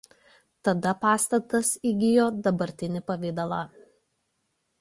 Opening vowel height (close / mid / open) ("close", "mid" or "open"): open